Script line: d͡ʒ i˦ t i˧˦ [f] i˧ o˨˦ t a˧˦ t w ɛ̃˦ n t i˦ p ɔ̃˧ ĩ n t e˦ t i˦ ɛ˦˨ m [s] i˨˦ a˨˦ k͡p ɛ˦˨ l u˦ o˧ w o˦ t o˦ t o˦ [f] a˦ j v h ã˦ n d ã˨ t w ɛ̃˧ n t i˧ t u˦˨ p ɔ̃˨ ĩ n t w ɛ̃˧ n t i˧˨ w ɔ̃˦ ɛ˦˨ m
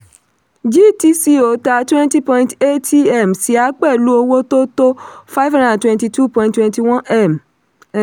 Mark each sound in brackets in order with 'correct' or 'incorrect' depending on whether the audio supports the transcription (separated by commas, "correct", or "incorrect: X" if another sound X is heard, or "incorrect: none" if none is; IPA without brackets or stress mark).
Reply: incorrect: s, correct, correct